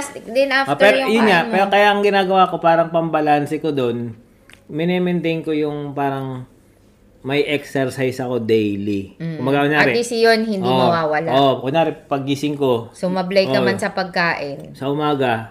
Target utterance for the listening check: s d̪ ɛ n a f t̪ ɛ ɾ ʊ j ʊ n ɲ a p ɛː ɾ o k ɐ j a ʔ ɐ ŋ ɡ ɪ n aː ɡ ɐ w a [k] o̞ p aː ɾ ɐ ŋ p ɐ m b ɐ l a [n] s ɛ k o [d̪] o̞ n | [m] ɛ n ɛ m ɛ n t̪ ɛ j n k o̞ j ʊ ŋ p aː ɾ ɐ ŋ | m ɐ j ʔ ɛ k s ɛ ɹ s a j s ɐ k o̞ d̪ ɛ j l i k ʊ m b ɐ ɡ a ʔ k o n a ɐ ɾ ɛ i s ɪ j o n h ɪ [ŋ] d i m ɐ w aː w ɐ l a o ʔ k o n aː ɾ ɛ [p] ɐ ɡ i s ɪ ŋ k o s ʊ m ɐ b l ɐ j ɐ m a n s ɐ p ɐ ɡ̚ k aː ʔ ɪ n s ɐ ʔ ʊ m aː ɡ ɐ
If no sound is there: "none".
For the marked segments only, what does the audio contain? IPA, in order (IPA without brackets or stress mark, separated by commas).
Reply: k, n, d̪, m, n, p